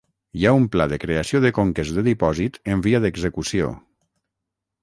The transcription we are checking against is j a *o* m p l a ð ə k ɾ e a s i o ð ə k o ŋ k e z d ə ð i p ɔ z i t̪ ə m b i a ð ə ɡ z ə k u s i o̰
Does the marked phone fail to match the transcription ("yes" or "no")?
yes